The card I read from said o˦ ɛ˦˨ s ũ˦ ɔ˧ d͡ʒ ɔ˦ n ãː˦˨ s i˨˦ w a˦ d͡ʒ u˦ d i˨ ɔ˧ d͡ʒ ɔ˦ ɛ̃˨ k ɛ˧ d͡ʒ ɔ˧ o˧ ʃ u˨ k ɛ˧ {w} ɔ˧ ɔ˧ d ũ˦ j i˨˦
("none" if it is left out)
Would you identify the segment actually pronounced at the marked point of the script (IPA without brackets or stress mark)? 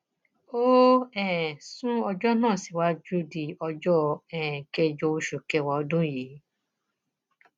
w